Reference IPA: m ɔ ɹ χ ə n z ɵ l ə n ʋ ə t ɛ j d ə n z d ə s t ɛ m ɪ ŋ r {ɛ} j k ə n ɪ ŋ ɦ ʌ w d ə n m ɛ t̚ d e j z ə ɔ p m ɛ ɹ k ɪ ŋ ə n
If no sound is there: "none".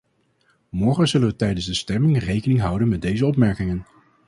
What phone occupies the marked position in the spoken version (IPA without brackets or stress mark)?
e